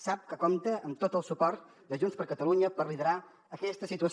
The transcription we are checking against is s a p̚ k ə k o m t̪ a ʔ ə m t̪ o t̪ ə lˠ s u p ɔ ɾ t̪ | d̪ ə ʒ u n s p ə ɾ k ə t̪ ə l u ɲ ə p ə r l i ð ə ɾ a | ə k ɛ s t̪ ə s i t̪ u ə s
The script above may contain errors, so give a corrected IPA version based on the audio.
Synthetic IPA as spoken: s a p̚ k ə k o m t̪ ə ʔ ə m t̪ o t̪ ə lˠ s u p ɔ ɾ t̪ | d̪ ə ʒ u n s p ə ɾ k ə t̪ ə l u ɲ ə p ə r l i ð ə ɾ a | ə k ɛ s t̪ ə s i t̪ u ə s